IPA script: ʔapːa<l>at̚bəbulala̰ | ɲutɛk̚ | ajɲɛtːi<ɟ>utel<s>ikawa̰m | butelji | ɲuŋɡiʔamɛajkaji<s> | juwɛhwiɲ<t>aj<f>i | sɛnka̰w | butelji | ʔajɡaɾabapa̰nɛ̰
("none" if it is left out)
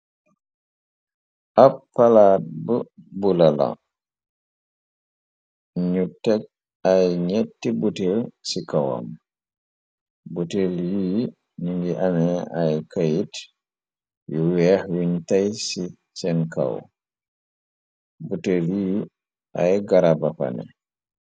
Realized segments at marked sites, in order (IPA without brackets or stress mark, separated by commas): l, b, s, t, t, s